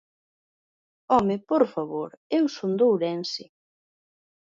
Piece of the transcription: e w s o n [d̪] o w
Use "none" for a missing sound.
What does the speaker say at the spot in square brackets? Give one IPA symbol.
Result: d̪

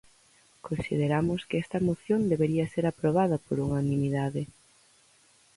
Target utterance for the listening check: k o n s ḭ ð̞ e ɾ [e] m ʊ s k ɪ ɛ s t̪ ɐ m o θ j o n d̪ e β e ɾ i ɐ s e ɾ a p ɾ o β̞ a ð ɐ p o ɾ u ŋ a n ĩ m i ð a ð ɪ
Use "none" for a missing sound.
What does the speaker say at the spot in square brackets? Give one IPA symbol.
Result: a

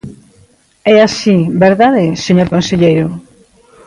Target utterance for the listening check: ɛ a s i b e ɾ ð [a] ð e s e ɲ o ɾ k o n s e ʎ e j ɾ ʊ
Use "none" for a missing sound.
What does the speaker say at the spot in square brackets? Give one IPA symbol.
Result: a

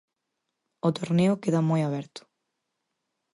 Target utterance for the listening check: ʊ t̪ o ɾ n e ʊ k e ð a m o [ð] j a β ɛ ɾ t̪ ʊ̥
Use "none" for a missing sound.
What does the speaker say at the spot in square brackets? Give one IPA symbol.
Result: none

